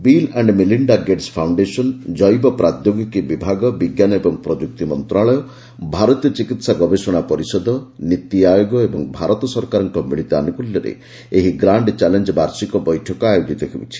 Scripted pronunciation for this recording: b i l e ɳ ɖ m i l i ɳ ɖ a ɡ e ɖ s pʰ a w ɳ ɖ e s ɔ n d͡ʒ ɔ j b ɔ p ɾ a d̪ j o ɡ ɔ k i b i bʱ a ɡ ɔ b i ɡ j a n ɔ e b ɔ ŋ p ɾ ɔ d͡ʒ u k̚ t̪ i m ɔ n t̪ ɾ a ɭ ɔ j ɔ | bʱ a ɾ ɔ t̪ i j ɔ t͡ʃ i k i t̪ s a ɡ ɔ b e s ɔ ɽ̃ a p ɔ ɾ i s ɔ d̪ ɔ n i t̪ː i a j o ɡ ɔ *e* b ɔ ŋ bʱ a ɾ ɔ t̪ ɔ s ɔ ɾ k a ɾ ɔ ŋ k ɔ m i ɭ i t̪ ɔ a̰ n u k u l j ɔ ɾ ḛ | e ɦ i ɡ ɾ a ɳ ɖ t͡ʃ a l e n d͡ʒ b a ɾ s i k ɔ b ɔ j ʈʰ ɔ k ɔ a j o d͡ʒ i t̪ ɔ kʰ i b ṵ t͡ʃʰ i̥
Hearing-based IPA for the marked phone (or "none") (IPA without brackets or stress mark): e